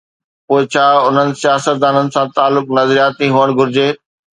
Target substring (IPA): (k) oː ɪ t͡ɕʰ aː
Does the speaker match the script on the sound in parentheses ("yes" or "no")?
no